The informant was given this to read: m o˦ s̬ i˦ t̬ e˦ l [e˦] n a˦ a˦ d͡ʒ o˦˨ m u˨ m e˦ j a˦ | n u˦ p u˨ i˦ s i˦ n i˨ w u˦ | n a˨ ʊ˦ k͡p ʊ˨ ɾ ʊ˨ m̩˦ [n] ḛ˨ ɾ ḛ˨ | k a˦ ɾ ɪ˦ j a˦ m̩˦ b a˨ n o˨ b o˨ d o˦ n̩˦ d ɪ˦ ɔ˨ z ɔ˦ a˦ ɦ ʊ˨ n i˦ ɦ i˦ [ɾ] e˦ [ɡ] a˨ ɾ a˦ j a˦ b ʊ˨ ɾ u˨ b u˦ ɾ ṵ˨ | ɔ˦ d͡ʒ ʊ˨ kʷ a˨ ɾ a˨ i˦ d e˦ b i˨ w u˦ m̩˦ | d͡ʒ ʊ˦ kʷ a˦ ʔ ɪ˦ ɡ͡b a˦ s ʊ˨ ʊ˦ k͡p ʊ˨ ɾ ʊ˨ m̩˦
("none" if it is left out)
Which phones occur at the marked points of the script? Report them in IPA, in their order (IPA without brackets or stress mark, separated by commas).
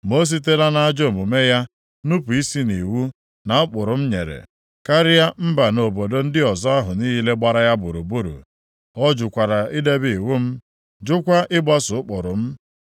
a˦, ɲ, l, ɡ͡b